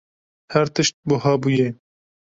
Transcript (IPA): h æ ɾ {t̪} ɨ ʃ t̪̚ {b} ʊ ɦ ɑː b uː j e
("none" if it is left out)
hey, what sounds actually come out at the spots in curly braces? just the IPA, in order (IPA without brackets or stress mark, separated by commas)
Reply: t̪, b